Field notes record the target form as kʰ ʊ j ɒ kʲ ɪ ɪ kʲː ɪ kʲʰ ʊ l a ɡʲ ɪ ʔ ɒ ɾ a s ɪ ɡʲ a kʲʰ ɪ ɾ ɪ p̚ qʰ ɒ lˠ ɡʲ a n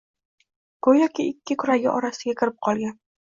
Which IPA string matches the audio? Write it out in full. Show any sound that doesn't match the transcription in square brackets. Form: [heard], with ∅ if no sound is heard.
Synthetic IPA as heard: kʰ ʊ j ɒ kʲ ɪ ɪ kʲː ɪ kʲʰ ʊ [ɾ] a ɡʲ ɪ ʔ ɒ ɾ a s ɪ ɡʲ a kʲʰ ɪ ɾ ɪ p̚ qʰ ɒ lˠ ɡʲ a n